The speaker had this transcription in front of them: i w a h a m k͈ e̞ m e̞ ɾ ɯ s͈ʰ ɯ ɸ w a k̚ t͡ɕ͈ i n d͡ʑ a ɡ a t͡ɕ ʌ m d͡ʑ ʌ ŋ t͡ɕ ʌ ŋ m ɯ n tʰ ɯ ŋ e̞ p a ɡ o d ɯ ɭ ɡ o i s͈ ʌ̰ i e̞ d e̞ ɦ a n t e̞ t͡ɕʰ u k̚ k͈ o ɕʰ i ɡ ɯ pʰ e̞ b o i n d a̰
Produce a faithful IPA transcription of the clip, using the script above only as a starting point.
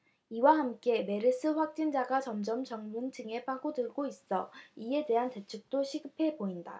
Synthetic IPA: i w a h a m k͈ e̞ m e̞ ɾ ɯ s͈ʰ ɯ ɸ w a k̚ t͡ɕ͈ i n d͡ʑ a ɡ a t͡ɕ ʌ m d͡ʑ ʌ m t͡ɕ ʌ ŋ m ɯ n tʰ ɯ ŋ e̞ p a ɡ o d ɯ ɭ ɡ o i s͈ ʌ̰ i e̞ d e̞ ɦ a n t e̞ t͡ɕʰ u k̚ t͈ o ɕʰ i ɡ ɯ pʰ e̞ b o i n d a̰

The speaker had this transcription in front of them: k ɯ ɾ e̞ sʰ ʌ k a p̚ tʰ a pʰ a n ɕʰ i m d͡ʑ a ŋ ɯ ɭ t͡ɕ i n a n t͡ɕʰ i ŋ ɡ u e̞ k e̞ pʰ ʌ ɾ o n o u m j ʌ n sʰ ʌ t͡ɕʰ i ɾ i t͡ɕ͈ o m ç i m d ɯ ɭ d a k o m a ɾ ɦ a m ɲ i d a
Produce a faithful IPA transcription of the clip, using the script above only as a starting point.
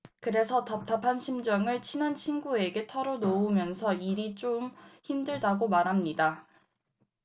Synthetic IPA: k ɯ ɾ e̞ sʰ ʌ t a p̚ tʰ a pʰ a n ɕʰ i m d͡ʑ ʌ ŋ ɯ ɭ t͡ɕʰ i n a n t͡ɕʰ i n ɡ u e̞ ɡ e̞ tʰ ʌ ɾ o n o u m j ʌ n sʰ ʌ i ɾ i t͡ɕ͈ o m ç i m d ɯ ɭ d a ɡ o m a ɾ ɦ a m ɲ i d a

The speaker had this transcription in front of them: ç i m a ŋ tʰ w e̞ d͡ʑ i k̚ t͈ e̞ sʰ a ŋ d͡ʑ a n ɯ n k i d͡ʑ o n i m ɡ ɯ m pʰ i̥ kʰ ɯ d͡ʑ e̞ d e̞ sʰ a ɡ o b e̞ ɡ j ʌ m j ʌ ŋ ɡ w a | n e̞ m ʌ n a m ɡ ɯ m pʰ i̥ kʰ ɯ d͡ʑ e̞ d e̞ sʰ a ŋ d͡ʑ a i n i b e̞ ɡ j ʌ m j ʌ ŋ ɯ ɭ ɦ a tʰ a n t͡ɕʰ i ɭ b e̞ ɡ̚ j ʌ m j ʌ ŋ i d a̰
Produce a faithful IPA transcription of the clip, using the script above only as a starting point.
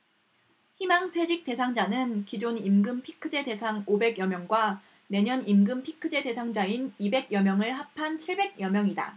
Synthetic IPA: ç i m a ŋ tʰ w e̞ d͡ʑ i k̚ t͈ e̞ sʰ a ŋ d͡ʑ a n ɯ n k i d͡ʑ o n i m ɡ ɯ m pʰ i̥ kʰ ɯ d͡ʑ e̞ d e̞ sʰ a ŋ o b e̞ ɡ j ʌ m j ʌ ŋ ɡ w a | n e̞ ɲ ʌ n i m ɡ ɯ m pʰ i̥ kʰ ɯ d͡ʑ e̞ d e̞ sʰ a ŋ d͡ʑ a i n i b e̞ ɡ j ʌ m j ʌ ŋ ɯ ɭ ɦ a pʰ a n t͡ɕʰ i ɭ b e̞ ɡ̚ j ʌ m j ʌ ŋ i d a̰

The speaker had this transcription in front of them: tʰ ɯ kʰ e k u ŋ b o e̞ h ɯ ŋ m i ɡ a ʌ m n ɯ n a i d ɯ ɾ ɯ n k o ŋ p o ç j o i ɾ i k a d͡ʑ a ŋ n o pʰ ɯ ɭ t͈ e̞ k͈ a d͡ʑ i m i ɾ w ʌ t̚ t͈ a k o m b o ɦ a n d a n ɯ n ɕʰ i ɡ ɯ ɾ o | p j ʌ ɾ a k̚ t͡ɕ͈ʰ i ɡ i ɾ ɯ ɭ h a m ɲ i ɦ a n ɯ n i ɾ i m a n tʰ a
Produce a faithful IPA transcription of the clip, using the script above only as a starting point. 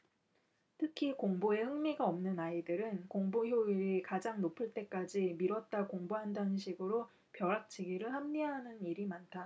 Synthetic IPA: tʰ ɯ kʰ i k o ŋ b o e̞ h ɯ ŋ m i ɡ a ʌ m n ɯ n a i d ɯ ɾ ɯ n k o ŋ b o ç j o i ɾ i k a d͡ʑ a ŋ n o pʰ ɯ ɭ t͈ e̞ k͈ a d͡ʑ i m i ɾ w ʌ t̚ t͈ a k o ŋ b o ɦ a n d a n ɯ n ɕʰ i ɡ ɯ ɾ o | p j ʌ ɾ a k̚ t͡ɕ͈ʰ i ɡ i ɾ ɯ ɭ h a m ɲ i ɦ a n ɯ n i ɾ i m a n tʰ a

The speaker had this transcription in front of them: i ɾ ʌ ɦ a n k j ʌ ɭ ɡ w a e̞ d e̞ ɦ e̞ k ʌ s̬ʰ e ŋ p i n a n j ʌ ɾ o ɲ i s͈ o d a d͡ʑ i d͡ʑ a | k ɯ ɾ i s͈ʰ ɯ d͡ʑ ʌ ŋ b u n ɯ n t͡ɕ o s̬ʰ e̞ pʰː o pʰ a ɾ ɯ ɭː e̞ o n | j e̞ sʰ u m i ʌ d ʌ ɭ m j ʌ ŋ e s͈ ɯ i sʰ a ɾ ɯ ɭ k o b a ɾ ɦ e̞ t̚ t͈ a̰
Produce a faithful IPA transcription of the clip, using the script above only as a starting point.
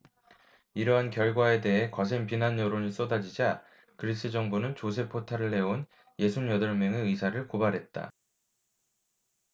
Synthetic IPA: i ɾ ʌ ɦ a n k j ʌ ɭ ɡ w a e̞ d e̞ ɦ e̞ k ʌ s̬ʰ e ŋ p i n a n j ʌ ɾ o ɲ i s͈ o d a d͡ʑ i d͡ʑ a | k ɯ ɾ i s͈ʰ ɯ d͡ʑ ʌ ŋ b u n ɯ n t͡ɕ o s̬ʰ e̞ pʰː o tʰ a ɾ ɯ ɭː e̞ o n | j e̞ sʰ u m j ʌ d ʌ ɭ m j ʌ ŋ e ɯ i sʰ a ɾ ɯ ɭ k o b a ɾ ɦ e̞ t̚ t͈ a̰

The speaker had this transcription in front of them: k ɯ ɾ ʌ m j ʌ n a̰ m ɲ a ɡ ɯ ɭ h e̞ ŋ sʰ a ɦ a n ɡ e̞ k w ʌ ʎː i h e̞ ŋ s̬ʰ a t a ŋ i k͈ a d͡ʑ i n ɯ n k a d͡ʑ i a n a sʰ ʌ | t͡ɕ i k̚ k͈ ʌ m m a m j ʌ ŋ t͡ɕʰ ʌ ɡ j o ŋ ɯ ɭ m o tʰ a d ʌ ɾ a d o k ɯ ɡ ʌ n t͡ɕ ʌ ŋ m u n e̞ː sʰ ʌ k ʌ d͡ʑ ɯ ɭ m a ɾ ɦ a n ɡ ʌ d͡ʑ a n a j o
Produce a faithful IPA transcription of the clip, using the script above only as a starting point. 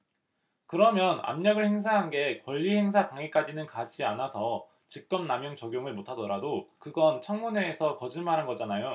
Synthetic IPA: k ɯ ɾ ʌ m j ʌ n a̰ m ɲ ʌ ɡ ɯ ɭ h e̞ ŋ sʰ a ɦ a n ɡ e̞ k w ʌ ʎː i h e̞ ŋ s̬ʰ a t a ŋ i k͈ a d͡ʑ i n ɯ n k a d͡ʑ i a n a sʰ ʌ | t͡ɕ i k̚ k͈ ʌ m n a m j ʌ ŋ t͡ɕ ʌ ɡ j o ŋ ɯ ɭ m o tʰ a d ʌ ɾ a d o k ɯ ɡ ʌ n t͡ɕʰ ʌ ŋ m u n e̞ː sʰ ʌ k ʌ d͡ʑ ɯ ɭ m a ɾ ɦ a n ɡ ʌ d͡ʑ a n a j o

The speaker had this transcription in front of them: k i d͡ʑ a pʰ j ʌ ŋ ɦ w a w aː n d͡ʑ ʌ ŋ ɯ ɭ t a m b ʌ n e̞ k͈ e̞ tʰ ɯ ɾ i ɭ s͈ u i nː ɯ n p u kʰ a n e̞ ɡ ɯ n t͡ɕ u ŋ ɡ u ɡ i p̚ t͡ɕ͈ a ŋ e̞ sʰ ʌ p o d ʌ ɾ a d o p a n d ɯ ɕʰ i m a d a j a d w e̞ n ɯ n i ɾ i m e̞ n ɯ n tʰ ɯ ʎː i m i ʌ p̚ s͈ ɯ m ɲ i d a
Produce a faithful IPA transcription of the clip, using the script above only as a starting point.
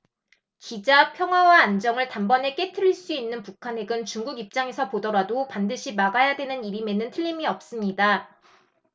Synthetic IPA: k i d͡ʑ a pʰ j ʌ ŋ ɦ w a w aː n d͡ʑ ʌ ŋ ɯ ɭ t a m b ʌ n e̞ k͈ e̞ tʰ ɯ ɾ i ɭ s͈ u i nː ɯ n p u kʰ a n e̞ ɡ ɯ n t͡ɕ u ŋ ɡ u ɡ i p̚ t͡ɕ͈ a ŋ e̞ sʰ ʌ p o d ʌ ɾ a d o p a n d ɯ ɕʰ i m a ɡ a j a d w e̞ n ɯ n i ɾ i m e̞ n ɯ n tʰ ɯ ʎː i m i ʌ p̚ s͈ ɯ m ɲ i d a

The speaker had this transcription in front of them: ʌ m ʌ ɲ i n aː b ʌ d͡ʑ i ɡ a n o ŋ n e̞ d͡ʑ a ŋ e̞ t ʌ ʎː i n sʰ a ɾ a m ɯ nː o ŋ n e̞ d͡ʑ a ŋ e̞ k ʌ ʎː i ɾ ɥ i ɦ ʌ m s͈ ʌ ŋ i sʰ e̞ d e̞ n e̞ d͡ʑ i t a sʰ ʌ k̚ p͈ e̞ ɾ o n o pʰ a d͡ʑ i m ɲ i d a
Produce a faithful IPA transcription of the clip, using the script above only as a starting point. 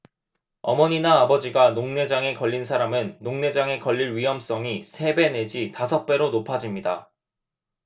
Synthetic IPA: ʌ m ʌ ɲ i n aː b ʌ d͡ʑ i ɡ a n o ŋ n e̞ d͡ʑ a ŋ e̞ k ʌ ʎː i n sʰ a ɾ a m ɯ nː o ŋ n e̞ d͡ʑ a ŋ e̞ k ʌ ʎː i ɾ ɥ i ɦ ʌ m s͈ ʌ ŋ i sʰ e̞ b e̞ n e̞ d͡ʑ i t a sʰ ʌ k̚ p͈ e̞ ɾ o n o pʰ a d͡ʑ i m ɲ i d a

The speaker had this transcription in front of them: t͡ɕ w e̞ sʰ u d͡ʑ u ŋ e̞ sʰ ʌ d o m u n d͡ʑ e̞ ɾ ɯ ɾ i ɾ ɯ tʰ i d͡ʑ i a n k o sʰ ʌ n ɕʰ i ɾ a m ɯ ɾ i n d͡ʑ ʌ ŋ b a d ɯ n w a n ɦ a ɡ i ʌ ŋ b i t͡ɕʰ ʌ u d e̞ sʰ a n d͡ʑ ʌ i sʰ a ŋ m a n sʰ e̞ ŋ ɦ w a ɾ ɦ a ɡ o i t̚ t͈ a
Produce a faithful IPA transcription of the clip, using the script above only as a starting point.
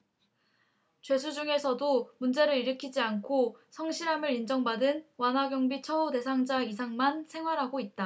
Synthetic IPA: t͡ɕ w e̞ sʰ u d͡ʑ u ŋ e̞ sʰ ʌ d o m u n d͡ʑ e̞ ɾ ɯ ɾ i ɾ ɯ kʰ i d͡ʑ i a n kʰ o sʰ ʌ ŋ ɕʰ i ɾ a m ɯ ɾ i n d͡ʑ ʌ ŋ b a d ɯ n w a n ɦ a ɡ j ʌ ŋ b i t͡ɕʰ ʌ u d e̞ sʰ a ŋ d͡ʑ a i sʰ a ŋ m a n sʰ e̞ ŋ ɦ w a ɾ ɦ a ɡ o i t̚ t͈ a

